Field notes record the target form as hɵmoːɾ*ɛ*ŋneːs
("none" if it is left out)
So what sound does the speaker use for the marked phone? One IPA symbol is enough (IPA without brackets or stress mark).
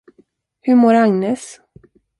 a